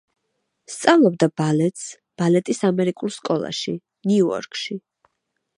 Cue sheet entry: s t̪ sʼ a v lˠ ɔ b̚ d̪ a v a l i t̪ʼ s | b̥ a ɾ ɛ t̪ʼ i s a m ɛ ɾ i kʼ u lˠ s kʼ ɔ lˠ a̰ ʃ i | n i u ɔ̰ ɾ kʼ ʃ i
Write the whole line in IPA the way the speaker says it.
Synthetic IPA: s t̪ sʼ a v lˠ ɔ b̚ d̪ a b a l ɛ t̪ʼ s | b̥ a l ɛ t̪ʼ i s a m ɛ ɾ i kʼ u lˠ s kʼ ɔ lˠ a̰ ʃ i | n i u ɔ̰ ɾ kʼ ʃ i